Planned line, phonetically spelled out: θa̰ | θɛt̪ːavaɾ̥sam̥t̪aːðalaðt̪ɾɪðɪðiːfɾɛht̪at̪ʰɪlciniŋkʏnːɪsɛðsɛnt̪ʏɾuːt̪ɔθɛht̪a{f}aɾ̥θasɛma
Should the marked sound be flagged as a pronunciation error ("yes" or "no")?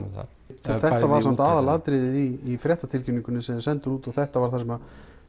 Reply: yes